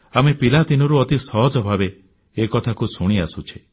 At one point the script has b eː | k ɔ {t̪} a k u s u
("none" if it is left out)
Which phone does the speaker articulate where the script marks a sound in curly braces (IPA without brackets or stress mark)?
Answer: t̪ʰ